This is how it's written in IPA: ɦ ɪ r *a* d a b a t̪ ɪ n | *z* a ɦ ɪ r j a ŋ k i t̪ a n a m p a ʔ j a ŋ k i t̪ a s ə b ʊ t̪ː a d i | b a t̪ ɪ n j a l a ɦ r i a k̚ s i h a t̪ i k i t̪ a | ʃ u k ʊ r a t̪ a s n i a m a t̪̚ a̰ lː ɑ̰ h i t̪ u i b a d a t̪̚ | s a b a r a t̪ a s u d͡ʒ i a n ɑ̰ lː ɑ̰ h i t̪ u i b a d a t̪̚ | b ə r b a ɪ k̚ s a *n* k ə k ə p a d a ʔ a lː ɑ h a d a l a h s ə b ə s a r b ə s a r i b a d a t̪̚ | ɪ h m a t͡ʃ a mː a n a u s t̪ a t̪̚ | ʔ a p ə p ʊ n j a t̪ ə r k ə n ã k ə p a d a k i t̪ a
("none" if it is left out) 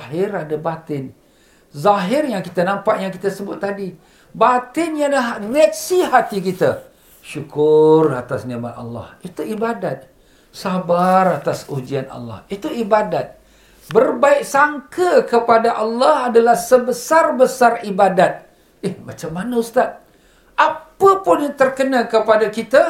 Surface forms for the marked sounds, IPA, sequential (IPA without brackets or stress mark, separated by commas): a, z, ŋ